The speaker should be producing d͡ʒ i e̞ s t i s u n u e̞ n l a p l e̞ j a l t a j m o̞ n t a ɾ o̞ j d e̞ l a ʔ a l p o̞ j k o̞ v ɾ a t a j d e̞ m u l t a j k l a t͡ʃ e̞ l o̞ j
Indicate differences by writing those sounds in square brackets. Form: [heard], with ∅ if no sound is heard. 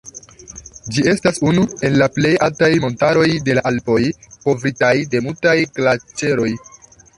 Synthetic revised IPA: d͡ʒ i e̞ s t [a] s u n u e̞ n l a p l e̞ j a l t a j m o̞ n t a ɾ o̞ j d e̞ l a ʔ a l p o̞ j k o̞ v ɾ [i] t a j d e̞ m u l t a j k l a t͡ʃ e̞ [ɾ] o̞ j

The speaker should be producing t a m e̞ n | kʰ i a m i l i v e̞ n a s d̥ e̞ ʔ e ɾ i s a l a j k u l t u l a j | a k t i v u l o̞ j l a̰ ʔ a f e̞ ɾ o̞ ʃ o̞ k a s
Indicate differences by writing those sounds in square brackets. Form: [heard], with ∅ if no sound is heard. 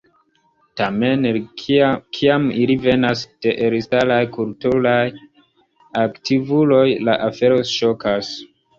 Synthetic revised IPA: t a m e̞ n | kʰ i a m i l i v e̞ n a s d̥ e̞ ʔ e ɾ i s a l a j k u l t u l a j | a k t i v u l o̞ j l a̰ ʔ a f e̞ ɾ o̞ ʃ o̞ k a s

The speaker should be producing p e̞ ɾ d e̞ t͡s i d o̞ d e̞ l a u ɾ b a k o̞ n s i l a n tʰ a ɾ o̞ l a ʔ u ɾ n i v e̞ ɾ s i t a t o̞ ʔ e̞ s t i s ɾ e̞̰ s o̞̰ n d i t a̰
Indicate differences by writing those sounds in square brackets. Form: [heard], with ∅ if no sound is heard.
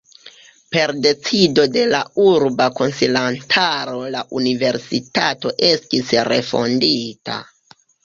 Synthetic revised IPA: p e̞ ɾ d e̞ t͡s i d o̞ d e̞ l a u ɾ b a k o̞ n s i l a n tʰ a ɾ o̞ l a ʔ u [∅] n i v e̞ ɾ s i t a t o̞ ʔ e̞ s t i s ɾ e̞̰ [f] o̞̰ n d i t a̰

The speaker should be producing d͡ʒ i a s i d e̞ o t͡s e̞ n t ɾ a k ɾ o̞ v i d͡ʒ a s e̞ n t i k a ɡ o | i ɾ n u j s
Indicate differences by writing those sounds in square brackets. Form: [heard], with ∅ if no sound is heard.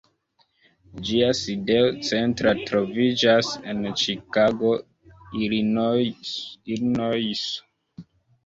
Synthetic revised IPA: d͡ʒ i a s i d e̞ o t͡s e̞ n t ɾ a [t] ɾ o̞ v i d͡ʒ a s e̞ n [t͡ʃ] i k a ɡ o | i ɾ n [o] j s

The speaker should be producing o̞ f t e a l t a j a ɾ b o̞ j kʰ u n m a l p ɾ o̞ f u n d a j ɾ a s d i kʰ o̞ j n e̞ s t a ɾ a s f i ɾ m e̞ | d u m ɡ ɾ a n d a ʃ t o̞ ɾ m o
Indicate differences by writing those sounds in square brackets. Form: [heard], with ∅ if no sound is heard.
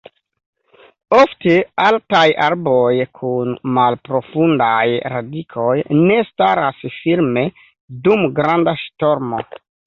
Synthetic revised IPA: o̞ f t e a l t a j a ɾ b o̞ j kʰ u n m a l p ɾ o̞ f u n d a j ɾ a [∅] d i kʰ o̞ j n e̞ s t a ɾ a s f i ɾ m e̞ | d u m ɡ ɾ a n d a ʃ t o̞ ɾ m o

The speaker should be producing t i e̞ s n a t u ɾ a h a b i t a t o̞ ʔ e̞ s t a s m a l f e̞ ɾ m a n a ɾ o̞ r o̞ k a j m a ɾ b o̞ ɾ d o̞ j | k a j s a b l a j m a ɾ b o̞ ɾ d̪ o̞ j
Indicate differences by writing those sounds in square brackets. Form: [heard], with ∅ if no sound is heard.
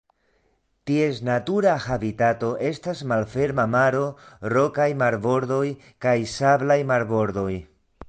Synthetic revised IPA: t i e̞ s n a t u ɾ a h a b i t a t o̞ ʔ e̞ s t a s m a l f e̞ ɾ m a [m] a ɾ o̞ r o̞ k a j m a ɾ b o̞ ɾ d o̞ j | k a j s a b l a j m a ɾ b o̞ ɾ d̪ o̞ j

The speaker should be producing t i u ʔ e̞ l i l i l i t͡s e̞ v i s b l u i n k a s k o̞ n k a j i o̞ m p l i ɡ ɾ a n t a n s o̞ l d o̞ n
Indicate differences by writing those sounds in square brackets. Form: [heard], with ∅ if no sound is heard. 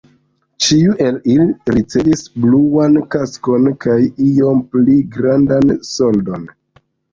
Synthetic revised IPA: [t͡ʃ] i u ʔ e̞ l i l i [ɾ] i t͡s e̞ v i s b l u [a] n k a s k o̞ n k a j i o̞ m p l i ɡ ɾ a n [d] a n s o̞ l d o̞ n

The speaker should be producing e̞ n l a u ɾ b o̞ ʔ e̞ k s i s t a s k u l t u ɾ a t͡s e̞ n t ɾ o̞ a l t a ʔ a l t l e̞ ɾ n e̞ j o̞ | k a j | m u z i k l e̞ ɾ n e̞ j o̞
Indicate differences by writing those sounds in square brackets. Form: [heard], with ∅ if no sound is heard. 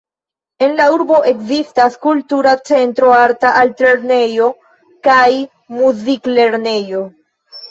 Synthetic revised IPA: e̞ n l a u ɾ b o̞ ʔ e̞ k [z] i s t a s k u l t u ɾ a t͡s e̞ n t ɾ o̞ a [ɾ] t a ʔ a l t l e̞ ɾ n e̞ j o̞ | k a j | m u z i k l e̞ ɾ n e̞ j o̞

